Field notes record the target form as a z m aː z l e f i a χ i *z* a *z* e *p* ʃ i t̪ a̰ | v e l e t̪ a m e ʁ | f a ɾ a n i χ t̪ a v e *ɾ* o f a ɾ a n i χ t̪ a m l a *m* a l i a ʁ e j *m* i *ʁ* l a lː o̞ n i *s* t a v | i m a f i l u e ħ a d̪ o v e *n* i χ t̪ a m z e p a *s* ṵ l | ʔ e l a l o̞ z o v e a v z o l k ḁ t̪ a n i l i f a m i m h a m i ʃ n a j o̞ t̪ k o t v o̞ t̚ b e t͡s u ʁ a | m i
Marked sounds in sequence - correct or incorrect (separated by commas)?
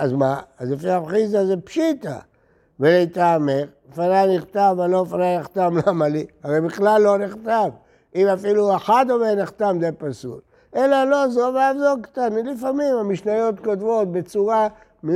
correct, correct, correct, incorrect, correct, incorrect, incorrect, incorrect, correct, correct